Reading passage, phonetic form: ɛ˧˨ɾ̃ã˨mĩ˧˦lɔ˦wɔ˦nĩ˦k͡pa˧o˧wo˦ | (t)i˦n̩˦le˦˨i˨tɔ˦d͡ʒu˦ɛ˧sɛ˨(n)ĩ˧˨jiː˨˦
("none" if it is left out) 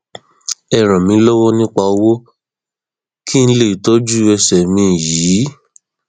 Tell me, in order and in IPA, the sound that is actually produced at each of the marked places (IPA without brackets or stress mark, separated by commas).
k, m